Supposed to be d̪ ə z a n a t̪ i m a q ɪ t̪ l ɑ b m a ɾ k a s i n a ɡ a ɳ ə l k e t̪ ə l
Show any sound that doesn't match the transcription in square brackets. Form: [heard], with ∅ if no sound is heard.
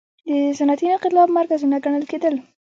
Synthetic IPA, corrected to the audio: d̪ ə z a n a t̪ i [n] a q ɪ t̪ l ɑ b m a ɾ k a [z] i n a ɡ a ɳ ə l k e [d̪] ə l